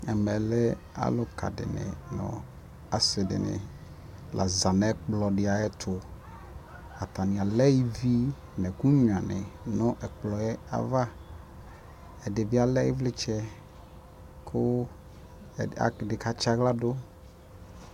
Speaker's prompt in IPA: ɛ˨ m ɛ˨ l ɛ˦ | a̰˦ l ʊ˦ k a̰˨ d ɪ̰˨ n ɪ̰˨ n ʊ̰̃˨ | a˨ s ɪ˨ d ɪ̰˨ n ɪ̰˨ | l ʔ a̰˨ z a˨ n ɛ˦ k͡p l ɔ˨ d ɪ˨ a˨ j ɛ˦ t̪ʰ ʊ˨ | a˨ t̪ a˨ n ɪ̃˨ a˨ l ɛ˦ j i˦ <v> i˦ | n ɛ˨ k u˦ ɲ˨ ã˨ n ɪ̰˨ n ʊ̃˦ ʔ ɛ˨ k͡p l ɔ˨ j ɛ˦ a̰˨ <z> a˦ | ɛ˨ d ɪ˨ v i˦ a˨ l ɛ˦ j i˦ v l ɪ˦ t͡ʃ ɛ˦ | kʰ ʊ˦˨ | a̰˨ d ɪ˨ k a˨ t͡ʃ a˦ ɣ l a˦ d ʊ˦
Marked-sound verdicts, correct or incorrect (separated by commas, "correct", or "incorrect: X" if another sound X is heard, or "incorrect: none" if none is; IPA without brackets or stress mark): correct, incorrect: v